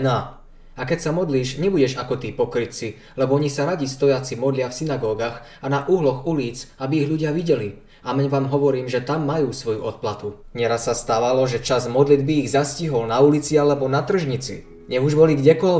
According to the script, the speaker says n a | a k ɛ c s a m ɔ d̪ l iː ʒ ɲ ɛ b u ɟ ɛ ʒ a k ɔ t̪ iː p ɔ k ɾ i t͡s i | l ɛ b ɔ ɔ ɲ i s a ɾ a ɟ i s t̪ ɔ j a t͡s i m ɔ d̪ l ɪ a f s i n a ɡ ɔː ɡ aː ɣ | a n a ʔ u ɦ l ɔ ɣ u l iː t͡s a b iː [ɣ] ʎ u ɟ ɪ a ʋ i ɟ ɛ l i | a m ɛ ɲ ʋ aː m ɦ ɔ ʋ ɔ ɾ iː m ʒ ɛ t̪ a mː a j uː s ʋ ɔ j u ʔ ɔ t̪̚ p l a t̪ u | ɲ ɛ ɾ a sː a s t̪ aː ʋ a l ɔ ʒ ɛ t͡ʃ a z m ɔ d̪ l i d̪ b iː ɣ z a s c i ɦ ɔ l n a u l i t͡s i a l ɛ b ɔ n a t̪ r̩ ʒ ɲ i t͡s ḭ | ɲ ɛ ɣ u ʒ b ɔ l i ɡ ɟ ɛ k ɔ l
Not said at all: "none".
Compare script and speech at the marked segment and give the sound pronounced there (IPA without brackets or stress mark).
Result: ɣ